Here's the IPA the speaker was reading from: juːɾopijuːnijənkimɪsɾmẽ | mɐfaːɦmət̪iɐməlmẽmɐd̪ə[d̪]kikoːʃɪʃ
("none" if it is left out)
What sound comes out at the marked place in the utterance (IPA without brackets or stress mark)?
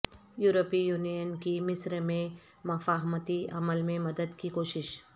d̪